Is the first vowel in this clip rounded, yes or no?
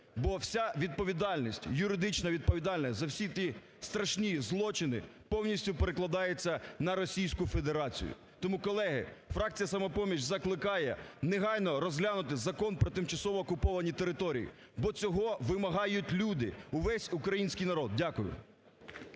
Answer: yes